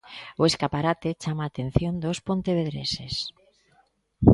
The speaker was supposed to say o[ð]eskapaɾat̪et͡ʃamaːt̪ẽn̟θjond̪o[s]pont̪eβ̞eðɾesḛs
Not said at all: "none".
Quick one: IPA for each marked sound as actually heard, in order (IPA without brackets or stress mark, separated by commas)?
none, s